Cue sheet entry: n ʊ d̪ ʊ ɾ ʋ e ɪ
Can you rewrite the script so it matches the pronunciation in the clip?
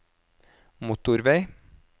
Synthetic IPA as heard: m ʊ t̪ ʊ ɾ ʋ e ɪ